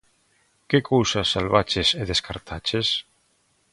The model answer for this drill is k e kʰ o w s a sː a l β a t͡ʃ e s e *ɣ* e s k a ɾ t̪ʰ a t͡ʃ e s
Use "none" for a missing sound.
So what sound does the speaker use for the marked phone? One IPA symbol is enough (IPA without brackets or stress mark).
ð